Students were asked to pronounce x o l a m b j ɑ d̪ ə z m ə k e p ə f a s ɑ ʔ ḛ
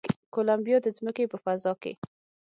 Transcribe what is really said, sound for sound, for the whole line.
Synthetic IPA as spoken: k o l a m b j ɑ d̪ ə z m ə k e p ə f a z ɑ k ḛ